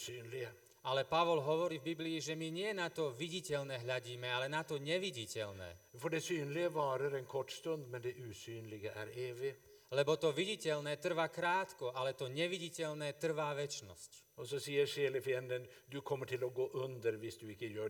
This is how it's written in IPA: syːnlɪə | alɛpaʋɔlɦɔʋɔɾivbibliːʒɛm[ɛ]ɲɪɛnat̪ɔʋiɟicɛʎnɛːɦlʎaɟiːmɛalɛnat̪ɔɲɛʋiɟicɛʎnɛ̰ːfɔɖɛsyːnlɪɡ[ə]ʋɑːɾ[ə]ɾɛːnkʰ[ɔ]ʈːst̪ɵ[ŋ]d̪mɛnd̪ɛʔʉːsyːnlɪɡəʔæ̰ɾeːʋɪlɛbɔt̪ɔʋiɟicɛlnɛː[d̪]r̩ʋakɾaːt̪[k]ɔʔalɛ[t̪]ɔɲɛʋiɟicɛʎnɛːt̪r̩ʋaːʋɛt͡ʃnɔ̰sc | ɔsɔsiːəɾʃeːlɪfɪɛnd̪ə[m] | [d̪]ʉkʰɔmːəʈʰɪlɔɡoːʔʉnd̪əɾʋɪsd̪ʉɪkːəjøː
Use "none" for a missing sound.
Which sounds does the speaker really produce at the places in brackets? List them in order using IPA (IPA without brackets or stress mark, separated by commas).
i, ə, ə, ɔ, n, t̪, k, t̪, n, d̪